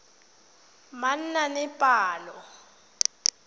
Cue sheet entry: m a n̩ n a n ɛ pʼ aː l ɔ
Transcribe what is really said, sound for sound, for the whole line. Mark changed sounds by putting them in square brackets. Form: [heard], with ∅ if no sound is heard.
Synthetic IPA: m a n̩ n a n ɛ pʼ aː l ɔ